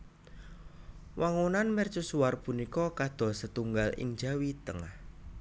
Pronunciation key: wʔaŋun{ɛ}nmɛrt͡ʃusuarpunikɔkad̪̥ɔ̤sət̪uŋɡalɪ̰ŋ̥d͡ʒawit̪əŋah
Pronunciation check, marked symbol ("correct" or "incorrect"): incorrect